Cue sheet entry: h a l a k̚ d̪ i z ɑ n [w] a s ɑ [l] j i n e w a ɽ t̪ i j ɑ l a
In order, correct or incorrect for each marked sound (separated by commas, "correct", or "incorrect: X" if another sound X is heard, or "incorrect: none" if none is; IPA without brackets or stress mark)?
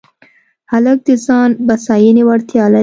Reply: incorrect: b, incorrect: none